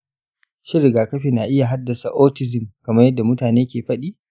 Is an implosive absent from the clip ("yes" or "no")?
no